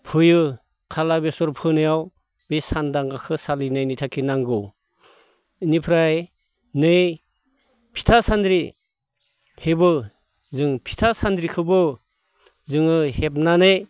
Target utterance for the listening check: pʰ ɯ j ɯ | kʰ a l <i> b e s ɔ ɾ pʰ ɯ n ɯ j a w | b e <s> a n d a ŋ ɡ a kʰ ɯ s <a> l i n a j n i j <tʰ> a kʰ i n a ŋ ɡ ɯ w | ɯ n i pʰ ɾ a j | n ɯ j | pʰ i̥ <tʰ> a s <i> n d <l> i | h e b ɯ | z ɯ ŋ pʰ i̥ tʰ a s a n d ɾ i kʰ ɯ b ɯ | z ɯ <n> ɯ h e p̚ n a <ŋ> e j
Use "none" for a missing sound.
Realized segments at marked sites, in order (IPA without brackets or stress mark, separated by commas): a, s, a, tʰ, tʰ, a, ɾ, ŋ, n